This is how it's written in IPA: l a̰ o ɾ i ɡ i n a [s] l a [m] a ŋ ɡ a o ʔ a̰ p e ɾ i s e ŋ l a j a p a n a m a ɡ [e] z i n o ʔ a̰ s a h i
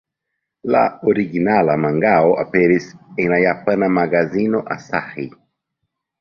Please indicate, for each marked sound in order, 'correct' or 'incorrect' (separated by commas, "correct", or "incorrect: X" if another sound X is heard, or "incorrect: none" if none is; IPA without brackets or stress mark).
incorrect: none, correct, incorrect: a